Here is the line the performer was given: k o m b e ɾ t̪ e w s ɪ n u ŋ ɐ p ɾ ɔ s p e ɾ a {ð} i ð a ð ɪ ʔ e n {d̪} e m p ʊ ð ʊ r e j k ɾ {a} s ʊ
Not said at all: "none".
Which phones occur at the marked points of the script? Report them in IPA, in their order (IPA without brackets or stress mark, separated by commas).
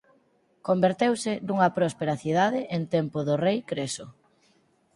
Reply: θ, t̪, e